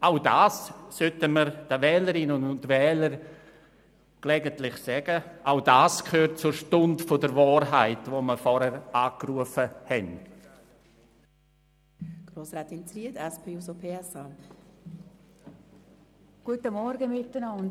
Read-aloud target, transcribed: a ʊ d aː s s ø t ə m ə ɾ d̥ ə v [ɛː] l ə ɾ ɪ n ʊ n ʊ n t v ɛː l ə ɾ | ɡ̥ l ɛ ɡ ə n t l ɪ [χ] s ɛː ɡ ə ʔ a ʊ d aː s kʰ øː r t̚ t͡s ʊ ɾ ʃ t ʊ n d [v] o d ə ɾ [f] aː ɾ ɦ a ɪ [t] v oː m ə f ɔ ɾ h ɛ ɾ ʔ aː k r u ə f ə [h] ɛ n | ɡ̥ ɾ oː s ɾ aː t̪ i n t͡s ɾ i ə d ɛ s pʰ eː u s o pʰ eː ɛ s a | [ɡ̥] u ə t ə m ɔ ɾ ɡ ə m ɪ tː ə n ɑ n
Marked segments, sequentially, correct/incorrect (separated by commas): correct, correct, incorrect, incorrect, correct, correct, correct